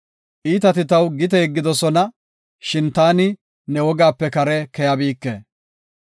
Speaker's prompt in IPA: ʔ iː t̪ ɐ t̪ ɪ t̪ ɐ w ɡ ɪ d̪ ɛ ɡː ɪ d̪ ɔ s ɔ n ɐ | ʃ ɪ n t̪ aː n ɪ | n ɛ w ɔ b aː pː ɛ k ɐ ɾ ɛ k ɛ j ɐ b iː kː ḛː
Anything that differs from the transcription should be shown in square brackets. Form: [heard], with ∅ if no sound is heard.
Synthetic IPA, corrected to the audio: ʔ iː t̪ ɐ t̪ ɪ t̪ ɐ w ɡ ɪ [t̪] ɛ ɡː ɪ d̪ ɔ s ɔ n ɐ | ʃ ɪ n t̪ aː n ɪ | n ɛ w ɔ [ɡ] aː pː ɛ k ɐ ɾ ɛ k ɛ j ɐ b iː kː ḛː